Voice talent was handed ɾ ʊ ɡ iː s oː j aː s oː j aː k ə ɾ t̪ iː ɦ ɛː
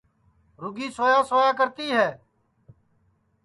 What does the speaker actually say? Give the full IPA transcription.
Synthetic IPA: ɾ ʊ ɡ iː s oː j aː s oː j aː k ə ɾ t̪ iː ɦ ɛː

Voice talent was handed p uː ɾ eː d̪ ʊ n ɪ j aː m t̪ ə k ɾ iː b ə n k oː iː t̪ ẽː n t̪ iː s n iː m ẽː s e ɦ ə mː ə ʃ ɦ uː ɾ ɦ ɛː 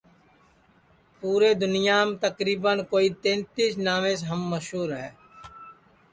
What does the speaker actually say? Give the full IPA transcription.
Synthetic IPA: p uː ɾ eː d̪ ʊ n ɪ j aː m t̪ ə k ɾ iː b ə n k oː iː t̪ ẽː n t̪ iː s n aː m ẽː s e ɦ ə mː ə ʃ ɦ uː ɾ ɦ ɛː

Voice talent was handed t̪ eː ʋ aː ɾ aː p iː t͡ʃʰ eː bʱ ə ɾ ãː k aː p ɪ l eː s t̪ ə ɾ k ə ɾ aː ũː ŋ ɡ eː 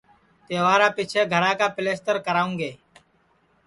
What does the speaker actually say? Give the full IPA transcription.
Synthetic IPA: t̪ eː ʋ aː ɾ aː p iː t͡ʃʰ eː ɡʱ ə ɾ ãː k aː p ɪ l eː s t̪ ə ɾ k ə ɾ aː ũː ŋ ɡ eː

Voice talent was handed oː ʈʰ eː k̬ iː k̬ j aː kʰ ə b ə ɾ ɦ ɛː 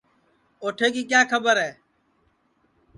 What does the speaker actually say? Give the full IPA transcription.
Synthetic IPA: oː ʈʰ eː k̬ iː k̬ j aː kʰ ə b ə ɾ ɦ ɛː

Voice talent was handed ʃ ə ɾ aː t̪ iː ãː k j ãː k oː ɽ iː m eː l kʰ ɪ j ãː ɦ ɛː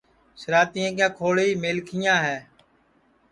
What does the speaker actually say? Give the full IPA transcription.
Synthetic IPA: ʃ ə ɾ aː t̪ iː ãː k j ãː kʰ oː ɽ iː m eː l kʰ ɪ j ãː ɦ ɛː

